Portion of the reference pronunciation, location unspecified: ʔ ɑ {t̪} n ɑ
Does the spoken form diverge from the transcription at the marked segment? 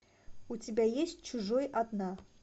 yes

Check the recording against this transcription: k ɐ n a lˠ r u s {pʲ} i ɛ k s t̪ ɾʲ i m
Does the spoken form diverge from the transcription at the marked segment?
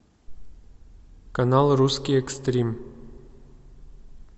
yes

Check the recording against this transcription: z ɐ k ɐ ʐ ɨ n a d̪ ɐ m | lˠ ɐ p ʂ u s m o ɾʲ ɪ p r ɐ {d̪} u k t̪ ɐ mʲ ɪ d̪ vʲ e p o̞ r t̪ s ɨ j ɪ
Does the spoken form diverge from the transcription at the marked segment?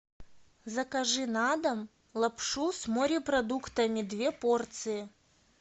no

